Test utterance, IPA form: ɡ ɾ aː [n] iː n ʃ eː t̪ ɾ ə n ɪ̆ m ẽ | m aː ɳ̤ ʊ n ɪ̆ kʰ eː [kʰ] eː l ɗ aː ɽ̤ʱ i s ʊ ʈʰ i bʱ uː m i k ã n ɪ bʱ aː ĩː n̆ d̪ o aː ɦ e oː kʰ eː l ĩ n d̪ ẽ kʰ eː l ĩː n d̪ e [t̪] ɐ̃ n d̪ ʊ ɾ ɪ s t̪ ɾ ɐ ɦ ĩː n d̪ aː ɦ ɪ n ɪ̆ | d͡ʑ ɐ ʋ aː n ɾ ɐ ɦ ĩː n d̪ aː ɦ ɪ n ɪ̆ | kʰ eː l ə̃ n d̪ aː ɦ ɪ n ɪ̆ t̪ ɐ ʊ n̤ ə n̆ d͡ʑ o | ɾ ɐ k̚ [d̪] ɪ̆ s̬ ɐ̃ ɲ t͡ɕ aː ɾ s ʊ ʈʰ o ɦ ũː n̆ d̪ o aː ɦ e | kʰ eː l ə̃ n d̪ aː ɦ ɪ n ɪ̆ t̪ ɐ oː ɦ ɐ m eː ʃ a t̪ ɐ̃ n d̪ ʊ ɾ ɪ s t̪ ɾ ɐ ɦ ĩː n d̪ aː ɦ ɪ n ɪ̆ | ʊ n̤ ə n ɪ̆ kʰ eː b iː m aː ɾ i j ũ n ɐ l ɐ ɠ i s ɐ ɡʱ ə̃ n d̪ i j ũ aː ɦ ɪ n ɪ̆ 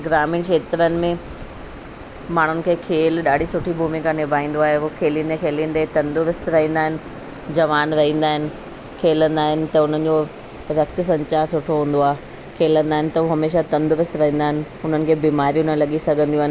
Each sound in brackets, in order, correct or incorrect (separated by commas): incorrect, correct, correct, incorrect